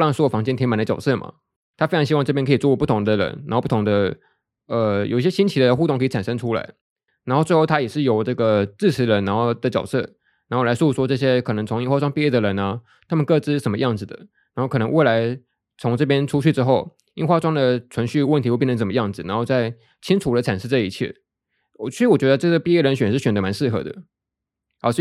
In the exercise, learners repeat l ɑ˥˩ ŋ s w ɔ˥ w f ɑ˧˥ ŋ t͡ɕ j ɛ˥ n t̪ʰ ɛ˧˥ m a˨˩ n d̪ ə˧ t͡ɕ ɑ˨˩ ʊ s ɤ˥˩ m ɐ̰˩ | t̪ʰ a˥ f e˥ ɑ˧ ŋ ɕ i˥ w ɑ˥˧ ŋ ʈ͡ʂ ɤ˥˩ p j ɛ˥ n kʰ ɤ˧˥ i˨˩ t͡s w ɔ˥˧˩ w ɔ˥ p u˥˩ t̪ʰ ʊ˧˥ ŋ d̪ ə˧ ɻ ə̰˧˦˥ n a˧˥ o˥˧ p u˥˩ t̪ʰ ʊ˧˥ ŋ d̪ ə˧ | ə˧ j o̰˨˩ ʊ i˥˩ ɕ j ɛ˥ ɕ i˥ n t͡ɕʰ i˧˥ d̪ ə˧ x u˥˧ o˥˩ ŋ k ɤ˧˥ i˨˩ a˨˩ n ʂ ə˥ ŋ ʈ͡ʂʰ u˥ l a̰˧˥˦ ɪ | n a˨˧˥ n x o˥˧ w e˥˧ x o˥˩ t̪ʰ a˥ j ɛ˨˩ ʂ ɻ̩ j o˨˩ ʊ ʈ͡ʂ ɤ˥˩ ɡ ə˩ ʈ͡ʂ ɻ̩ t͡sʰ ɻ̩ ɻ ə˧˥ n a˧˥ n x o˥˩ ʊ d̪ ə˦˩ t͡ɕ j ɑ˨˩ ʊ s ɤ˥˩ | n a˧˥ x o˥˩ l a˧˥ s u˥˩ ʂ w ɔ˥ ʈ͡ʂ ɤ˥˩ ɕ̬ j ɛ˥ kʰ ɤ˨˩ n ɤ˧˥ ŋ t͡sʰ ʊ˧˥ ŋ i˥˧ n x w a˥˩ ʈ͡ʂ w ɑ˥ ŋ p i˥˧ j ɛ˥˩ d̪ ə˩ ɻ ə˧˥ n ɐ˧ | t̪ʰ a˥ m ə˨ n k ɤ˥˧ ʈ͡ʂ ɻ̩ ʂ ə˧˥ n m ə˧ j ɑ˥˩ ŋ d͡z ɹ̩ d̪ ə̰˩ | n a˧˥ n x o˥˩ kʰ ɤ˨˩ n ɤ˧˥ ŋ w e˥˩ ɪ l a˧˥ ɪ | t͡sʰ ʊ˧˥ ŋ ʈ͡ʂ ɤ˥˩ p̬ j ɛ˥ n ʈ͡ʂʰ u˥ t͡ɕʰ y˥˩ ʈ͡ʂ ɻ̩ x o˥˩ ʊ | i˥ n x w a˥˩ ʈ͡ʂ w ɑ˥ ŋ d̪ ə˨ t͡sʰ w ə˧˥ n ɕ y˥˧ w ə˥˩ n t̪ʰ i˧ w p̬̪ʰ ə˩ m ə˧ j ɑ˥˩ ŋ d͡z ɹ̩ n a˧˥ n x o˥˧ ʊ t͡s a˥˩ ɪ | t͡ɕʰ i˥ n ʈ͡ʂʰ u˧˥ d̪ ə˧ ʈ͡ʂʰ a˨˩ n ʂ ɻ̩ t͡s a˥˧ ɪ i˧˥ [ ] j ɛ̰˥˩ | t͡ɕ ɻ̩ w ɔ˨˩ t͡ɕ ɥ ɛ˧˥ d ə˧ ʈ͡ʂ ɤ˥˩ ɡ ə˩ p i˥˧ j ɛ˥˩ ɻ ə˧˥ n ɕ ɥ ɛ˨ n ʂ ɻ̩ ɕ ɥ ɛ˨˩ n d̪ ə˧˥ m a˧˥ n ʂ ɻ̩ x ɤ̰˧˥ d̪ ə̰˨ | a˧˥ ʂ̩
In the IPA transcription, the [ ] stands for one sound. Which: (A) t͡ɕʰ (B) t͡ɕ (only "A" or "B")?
A